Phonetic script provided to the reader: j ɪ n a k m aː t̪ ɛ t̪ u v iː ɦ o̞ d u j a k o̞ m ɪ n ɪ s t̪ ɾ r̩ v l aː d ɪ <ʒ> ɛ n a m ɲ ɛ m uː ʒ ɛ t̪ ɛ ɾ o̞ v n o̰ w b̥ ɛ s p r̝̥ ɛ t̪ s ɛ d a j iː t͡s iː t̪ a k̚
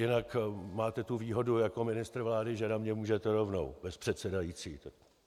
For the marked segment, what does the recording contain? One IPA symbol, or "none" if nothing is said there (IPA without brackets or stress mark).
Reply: ʒ